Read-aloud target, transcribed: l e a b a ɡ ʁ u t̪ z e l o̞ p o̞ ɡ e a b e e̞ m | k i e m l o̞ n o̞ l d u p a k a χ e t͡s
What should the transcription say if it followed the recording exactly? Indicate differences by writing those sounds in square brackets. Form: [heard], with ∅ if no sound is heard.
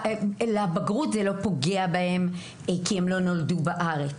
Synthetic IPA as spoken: l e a b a ɡ ʁ u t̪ z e l o̞ p o̞ ɡ e a b [a] e̞ m | k i e m l o̞ n o̞ l d u [b] a [ʔ] a [ʁ] e t͡s